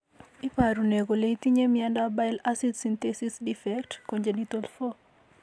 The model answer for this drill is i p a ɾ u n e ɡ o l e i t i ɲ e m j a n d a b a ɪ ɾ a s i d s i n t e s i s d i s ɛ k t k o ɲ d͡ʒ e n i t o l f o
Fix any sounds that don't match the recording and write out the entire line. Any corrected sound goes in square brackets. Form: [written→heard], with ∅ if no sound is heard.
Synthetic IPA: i p a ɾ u n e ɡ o l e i t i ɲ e m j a n d a b a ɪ [ɾ→l] a s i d s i n t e s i s d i [s→f] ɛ k t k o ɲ d͡ʒ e n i t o l f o